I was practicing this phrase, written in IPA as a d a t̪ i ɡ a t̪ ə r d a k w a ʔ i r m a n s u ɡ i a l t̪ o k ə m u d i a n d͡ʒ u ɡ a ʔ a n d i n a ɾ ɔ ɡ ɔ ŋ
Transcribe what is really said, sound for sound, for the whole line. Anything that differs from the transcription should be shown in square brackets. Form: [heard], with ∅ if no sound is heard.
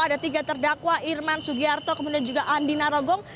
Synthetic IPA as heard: a d a t̪ i ɡ a t̪ ə r d a k w a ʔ i r m a n s u ɡ i a [r] t̪ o k ə m u d i a n d͡ʒ u ɡ a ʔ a n d i n a ɾ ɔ ɡ ɔ ŋ